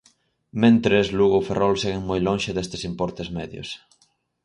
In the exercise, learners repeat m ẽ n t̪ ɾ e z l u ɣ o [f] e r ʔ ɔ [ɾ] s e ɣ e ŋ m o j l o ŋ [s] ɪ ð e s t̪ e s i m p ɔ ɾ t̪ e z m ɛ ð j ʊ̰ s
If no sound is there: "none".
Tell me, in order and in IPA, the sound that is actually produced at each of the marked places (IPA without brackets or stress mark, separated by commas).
f, l, ʃ